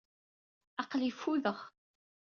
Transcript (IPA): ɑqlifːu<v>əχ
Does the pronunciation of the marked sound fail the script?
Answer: yes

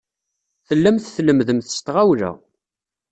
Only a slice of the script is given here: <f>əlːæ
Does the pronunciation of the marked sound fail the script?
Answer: yes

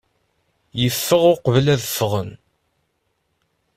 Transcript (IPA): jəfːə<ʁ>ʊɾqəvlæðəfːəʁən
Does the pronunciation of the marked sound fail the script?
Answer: no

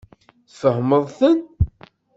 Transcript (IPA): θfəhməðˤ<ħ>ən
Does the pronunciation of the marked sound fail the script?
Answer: yes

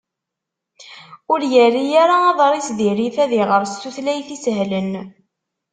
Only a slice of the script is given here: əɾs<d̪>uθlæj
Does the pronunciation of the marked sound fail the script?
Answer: yes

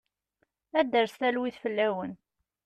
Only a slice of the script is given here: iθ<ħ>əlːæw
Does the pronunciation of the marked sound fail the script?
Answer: yes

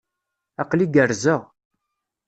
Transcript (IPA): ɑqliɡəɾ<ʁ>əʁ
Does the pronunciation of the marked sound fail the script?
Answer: yes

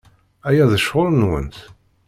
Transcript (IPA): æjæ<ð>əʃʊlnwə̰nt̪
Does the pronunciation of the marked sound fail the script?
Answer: no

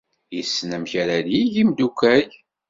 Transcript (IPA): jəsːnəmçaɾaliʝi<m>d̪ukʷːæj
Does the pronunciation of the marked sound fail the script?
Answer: no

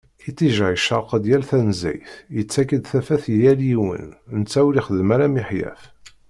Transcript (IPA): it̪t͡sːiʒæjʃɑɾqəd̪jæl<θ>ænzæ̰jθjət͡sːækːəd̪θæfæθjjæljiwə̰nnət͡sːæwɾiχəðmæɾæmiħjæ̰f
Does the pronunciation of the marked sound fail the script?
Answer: no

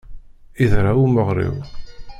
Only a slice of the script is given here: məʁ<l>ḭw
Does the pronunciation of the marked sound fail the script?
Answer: yes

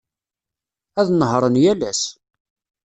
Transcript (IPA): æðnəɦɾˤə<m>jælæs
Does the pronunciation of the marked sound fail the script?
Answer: yes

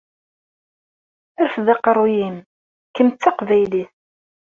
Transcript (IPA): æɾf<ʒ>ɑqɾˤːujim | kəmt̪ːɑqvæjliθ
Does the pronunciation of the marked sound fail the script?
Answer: yes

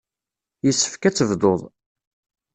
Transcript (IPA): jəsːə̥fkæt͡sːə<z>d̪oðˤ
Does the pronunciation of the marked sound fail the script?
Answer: yes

